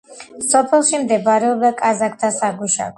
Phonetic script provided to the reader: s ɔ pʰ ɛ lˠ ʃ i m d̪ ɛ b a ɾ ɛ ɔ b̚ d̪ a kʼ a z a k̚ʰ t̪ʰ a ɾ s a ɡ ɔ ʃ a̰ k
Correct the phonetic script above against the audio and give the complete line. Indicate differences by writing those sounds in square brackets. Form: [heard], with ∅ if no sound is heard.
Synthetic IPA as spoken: s ɔ pʰ ɛ lˠ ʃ i m d̪ ɛ b a ɾ ɛ ɔ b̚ d̪ a kʼ a z a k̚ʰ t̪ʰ a [∅] s a ɡ [u] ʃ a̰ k